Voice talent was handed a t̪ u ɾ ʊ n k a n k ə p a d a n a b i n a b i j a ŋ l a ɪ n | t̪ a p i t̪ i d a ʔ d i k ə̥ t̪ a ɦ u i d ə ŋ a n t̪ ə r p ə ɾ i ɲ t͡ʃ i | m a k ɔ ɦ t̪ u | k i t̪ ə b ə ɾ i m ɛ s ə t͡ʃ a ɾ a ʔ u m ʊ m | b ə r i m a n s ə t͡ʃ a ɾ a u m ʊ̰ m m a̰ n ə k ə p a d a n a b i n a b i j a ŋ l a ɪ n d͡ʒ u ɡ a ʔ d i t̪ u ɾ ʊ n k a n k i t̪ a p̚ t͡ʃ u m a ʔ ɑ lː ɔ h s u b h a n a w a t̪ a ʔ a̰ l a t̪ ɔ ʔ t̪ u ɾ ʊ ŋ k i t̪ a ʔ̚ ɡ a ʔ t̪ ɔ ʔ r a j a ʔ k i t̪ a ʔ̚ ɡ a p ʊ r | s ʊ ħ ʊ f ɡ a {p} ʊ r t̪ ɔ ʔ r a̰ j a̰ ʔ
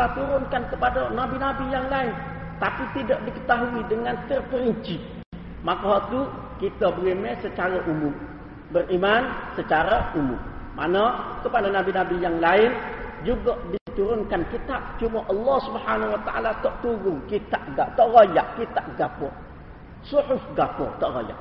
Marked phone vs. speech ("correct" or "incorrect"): correct